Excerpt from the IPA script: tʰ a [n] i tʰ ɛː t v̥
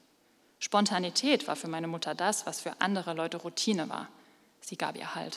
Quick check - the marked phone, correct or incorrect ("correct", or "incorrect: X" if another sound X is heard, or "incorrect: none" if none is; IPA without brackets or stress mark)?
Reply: correct